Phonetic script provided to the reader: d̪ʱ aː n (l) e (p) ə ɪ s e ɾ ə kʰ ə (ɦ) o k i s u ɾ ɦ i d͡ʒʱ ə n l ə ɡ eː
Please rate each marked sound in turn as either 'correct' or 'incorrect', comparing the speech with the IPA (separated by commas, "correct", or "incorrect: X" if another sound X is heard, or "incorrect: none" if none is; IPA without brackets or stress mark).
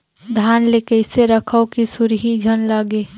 correct, incorrect: k, incorrect: none